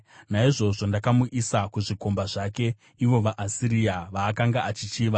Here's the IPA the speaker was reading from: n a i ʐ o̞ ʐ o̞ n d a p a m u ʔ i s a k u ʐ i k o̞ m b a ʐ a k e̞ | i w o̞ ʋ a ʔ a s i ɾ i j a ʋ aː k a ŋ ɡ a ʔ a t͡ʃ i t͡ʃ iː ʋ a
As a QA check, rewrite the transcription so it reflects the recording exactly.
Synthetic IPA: n a i ʐ o̞ ʐ o̞ n d a k a m u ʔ i s a k u ʐ i k o̞ m b a ʐ a k e̞ | i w o̞ ʋ a ʔ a s i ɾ i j a ʋ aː k a ŋ ɡ a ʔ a t͡ʃ i t͡ʃ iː ʋ a